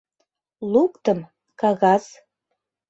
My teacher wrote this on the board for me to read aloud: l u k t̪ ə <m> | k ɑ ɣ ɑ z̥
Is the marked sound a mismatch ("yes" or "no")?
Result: no